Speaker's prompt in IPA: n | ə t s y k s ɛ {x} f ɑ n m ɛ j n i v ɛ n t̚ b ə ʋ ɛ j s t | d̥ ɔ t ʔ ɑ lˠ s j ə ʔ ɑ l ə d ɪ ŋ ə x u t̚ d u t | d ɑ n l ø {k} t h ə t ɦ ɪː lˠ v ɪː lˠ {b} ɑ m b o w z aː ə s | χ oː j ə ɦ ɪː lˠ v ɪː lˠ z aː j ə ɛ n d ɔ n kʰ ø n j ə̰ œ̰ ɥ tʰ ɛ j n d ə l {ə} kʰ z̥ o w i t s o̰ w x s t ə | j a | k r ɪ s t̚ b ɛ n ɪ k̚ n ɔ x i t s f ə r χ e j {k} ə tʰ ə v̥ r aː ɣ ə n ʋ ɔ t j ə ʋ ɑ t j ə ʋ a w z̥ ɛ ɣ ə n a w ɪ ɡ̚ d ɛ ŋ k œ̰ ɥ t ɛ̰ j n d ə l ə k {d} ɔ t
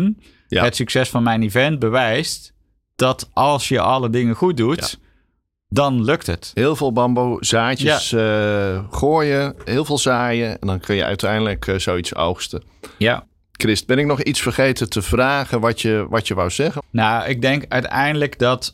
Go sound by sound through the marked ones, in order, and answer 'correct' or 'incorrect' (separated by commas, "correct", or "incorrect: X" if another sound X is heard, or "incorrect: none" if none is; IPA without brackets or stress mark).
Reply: incorrect: s, correct, correct, correct, incorrect: t, correct